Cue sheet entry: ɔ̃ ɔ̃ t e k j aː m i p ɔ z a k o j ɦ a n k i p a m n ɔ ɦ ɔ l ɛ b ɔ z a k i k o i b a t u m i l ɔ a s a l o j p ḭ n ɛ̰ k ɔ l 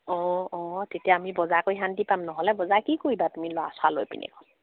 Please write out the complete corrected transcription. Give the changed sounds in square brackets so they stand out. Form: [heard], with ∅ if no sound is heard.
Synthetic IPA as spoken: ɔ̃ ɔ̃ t e [t] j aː m i [b] ɔ z a k o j ɦ a n [t] i p a m n ɔ ɦ ɔ l ɛ b ɔ z a k i k o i b a t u m i l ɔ a s a l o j p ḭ n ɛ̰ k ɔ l